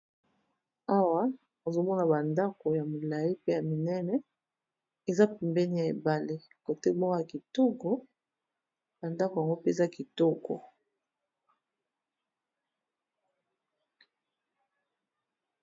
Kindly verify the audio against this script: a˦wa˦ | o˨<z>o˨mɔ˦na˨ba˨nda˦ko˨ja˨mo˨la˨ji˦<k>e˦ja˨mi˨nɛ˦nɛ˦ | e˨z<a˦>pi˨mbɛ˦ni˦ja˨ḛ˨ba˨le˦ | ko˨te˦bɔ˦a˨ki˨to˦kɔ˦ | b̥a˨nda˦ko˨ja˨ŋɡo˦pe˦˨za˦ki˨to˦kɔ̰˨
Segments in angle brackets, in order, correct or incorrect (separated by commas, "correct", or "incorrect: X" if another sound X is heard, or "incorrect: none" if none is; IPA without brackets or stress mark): correct, incorrect: p, correct